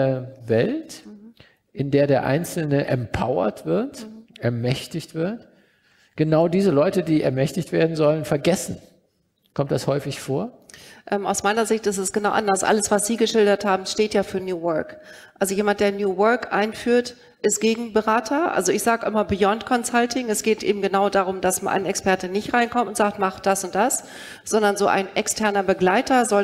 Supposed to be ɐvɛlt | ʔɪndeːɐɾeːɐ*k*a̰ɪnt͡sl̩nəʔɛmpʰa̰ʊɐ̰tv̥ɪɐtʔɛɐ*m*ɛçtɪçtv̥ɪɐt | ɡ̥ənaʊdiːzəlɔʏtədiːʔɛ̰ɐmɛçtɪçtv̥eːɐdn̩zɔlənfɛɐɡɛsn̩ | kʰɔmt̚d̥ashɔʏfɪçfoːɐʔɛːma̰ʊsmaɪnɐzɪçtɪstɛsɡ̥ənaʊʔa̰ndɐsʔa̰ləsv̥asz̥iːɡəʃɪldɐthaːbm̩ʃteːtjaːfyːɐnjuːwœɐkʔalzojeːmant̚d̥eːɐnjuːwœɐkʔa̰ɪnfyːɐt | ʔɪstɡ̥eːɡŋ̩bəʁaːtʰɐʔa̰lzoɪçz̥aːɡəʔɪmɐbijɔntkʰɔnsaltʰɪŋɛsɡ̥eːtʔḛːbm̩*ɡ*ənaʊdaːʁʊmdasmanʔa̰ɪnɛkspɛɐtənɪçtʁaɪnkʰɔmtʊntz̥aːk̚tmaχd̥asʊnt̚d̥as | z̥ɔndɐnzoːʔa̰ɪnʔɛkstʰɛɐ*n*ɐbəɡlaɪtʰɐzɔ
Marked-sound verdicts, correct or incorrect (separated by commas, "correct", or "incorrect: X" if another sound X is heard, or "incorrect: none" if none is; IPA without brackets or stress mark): incorrect: ʔ, correct, correct, correct